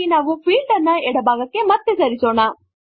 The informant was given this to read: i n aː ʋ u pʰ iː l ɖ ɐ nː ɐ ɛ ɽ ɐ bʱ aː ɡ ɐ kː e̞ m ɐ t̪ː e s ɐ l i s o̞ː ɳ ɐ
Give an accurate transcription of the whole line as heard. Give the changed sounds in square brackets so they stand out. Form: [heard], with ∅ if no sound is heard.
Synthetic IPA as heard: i n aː ʋ u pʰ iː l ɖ ɐ nː ɐ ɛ ɽ ɐ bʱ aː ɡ ɐ kː e̞ m ɐ t̪ː e s ɐ [ɾ] i s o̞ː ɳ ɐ